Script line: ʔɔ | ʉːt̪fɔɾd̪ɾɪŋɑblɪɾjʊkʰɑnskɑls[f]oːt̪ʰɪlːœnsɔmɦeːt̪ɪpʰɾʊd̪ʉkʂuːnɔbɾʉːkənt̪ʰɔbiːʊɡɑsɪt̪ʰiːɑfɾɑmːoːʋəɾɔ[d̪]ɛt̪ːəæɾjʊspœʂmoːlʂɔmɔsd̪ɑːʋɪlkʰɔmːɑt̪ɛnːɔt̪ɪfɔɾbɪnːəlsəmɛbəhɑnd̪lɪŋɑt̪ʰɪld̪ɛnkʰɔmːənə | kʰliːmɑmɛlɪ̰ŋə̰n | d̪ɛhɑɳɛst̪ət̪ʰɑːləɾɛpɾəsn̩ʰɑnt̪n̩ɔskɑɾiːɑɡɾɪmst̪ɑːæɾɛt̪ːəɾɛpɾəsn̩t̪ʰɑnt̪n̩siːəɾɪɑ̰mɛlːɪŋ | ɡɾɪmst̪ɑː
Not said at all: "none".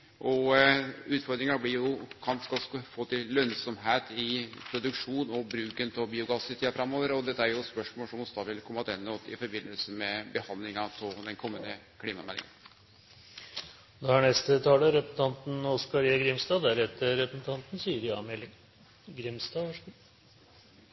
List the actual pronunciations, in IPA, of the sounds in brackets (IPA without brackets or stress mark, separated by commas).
f, d̪